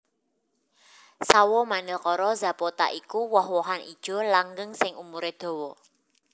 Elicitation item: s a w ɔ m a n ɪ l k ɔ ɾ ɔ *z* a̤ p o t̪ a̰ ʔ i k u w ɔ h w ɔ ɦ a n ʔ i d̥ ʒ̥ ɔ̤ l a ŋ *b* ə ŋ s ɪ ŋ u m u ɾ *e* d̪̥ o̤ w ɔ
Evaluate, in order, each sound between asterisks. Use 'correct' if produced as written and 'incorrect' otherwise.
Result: correct, incorrect, correct

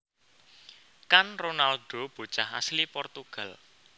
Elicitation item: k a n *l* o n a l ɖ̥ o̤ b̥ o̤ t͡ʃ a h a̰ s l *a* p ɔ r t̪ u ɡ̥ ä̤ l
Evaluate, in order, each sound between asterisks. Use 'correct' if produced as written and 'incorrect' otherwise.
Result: incorrect, incorrect

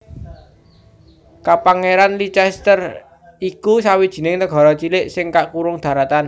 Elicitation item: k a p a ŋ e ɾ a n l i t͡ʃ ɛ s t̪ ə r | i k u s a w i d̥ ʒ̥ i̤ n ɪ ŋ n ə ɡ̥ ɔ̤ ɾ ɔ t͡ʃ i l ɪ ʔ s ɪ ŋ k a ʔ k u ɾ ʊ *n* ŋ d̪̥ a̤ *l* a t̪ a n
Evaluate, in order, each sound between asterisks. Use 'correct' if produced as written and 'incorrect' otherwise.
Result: incorrect, incorrect

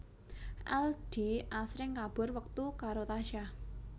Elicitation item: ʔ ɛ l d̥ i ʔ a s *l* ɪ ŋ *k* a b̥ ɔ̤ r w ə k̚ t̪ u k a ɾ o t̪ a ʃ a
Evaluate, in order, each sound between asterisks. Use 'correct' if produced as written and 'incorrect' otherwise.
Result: incorrect, correct

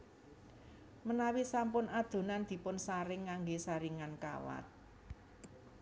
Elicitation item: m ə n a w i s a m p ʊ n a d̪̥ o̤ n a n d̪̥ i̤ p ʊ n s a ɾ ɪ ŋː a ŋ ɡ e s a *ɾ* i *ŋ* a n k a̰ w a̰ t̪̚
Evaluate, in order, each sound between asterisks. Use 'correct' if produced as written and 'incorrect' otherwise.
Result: correct, correct

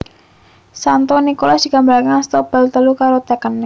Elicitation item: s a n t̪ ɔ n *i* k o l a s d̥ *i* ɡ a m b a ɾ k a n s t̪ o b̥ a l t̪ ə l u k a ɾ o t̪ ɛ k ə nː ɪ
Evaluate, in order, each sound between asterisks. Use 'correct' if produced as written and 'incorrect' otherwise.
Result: correct, correct

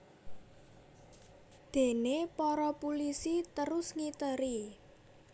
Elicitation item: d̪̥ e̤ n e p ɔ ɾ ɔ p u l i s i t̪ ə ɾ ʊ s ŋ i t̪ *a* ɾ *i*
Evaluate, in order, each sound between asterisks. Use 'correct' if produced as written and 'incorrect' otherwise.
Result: incorrect, correct

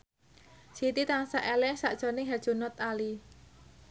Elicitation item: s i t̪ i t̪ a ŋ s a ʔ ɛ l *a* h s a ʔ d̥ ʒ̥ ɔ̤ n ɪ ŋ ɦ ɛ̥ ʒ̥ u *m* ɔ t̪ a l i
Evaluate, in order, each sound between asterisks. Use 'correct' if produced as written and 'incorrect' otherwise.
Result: incorrect, incorrect

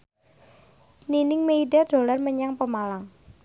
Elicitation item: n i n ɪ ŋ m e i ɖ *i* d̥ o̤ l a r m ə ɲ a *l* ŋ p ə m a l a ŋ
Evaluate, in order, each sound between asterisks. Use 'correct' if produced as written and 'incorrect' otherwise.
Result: incorrect, incorrect

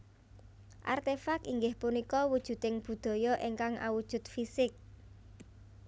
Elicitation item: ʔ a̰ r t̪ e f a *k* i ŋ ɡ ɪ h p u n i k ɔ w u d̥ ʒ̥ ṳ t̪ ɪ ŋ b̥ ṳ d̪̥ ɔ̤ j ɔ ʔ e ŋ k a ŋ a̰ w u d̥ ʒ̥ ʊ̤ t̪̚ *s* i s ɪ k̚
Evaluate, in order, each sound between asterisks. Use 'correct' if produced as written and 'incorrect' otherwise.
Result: correct, incorrect

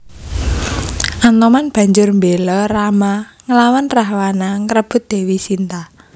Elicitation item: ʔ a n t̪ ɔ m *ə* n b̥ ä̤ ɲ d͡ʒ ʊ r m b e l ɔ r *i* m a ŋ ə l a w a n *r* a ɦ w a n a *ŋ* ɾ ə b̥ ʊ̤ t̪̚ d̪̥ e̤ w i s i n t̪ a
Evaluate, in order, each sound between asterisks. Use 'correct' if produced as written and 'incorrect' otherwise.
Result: incorrect, incorrect, correct, correct

